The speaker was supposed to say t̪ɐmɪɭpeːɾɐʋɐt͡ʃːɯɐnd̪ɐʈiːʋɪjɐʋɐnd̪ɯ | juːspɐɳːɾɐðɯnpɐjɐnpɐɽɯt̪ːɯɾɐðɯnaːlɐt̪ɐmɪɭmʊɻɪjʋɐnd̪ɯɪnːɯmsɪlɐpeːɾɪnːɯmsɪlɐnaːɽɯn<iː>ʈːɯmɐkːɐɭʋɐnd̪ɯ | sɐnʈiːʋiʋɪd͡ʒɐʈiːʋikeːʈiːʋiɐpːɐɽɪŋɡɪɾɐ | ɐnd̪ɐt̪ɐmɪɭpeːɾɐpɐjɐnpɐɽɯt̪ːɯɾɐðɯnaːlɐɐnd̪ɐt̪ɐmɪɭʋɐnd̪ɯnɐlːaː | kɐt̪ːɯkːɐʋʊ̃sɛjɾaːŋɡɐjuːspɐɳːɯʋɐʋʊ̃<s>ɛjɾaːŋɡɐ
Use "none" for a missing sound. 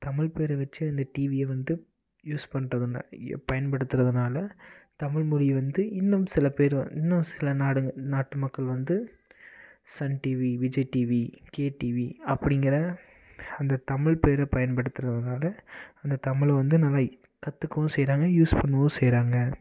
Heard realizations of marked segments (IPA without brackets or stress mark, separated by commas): aː, s